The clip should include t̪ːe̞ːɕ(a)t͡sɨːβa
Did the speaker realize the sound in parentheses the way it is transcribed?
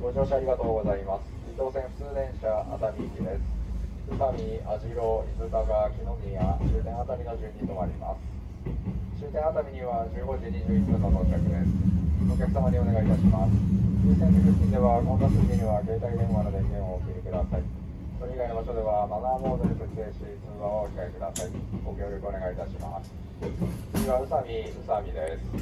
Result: no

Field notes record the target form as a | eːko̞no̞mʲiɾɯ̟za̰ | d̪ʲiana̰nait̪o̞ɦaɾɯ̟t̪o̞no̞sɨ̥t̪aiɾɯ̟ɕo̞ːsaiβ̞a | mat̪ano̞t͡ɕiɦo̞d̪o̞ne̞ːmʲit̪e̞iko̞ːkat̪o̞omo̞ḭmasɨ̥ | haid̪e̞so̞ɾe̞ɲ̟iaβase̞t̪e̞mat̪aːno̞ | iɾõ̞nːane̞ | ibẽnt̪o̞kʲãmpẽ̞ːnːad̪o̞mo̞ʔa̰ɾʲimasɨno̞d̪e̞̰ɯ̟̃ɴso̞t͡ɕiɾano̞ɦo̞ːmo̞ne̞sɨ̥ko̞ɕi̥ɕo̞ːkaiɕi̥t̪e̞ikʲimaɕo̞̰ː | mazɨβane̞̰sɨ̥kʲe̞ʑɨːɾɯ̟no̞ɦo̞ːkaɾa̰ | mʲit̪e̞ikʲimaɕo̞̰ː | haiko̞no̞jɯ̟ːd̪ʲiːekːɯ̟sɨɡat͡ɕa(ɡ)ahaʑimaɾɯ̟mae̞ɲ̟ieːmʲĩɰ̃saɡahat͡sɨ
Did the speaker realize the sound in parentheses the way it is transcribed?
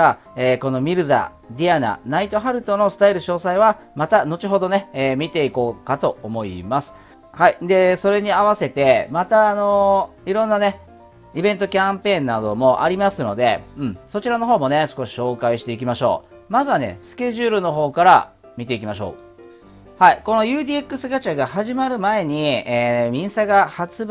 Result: yes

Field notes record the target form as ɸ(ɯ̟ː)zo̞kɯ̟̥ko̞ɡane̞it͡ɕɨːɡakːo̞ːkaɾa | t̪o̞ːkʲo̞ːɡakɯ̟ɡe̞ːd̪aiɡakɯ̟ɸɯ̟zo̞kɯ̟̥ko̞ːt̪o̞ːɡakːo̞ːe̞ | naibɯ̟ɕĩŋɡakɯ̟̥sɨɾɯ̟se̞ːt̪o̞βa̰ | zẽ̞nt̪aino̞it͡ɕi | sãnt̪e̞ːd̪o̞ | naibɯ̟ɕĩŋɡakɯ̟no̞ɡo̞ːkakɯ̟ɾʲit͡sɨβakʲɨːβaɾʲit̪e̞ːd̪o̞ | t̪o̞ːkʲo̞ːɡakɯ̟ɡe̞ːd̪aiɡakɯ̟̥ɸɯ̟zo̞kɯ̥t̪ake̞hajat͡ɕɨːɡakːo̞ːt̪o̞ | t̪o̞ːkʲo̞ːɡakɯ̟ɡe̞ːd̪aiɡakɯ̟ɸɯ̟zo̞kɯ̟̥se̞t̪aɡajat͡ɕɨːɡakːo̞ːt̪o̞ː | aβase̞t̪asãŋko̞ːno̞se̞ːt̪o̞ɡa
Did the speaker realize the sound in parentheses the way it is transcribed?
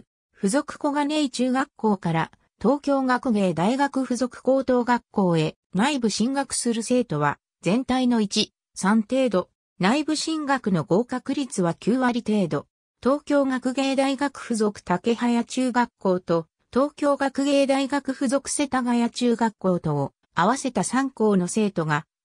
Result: no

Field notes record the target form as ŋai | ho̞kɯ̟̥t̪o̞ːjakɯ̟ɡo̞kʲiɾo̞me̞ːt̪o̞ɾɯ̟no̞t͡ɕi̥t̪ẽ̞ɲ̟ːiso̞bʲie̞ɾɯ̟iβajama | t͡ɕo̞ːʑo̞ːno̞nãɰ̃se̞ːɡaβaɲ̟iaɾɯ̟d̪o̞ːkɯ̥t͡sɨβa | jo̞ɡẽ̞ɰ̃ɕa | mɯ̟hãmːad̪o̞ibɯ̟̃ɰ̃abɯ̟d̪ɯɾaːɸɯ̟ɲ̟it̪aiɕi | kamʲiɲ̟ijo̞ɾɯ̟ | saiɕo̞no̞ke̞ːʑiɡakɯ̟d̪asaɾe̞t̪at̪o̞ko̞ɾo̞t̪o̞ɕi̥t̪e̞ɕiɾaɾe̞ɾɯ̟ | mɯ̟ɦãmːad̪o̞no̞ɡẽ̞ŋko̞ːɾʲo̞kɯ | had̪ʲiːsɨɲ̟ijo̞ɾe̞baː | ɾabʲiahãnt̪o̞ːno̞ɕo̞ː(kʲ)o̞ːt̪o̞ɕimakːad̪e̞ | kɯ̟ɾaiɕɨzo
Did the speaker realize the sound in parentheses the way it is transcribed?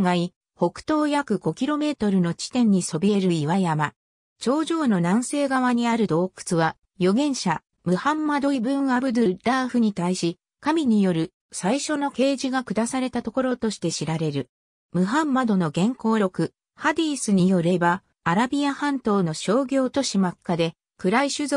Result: no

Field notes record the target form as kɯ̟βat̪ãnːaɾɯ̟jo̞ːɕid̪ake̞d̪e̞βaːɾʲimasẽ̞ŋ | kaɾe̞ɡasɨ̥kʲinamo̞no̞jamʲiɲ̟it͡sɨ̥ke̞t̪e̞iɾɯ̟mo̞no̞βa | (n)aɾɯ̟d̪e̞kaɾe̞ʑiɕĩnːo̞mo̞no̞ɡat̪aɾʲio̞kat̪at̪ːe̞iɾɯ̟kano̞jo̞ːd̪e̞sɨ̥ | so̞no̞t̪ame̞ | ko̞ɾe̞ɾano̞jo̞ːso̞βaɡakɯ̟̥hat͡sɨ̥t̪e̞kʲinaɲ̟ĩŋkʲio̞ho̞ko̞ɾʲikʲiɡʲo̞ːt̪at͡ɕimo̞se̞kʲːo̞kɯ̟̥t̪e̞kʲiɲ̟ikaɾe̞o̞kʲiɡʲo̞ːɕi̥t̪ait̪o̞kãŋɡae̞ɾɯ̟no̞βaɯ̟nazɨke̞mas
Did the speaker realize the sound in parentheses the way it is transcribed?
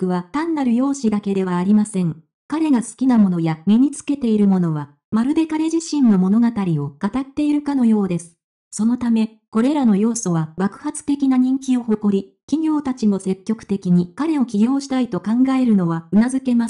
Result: no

